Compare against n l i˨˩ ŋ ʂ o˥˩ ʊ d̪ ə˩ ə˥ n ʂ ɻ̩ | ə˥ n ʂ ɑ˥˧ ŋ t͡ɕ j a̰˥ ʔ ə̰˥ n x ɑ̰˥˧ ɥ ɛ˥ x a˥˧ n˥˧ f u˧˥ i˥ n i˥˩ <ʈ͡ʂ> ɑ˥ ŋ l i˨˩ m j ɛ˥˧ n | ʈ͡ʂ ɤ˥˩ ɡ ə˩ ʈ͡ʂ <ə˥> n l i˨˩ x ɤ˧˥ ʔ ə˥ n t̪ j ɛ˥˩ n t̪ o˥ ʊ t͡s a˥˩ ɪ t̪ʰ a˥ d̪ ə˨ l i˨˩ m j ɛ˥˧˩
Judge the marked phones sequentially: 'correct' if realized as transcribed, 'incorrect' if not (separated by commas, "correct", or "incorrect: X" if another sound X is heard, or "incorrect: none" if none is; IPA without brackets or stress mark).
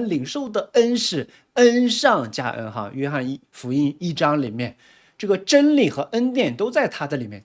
correct, correct